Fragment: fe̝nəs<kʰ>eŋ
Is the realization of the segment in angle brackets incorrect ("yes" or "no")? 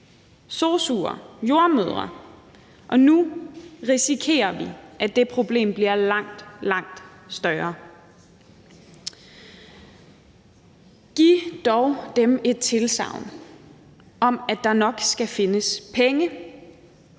yes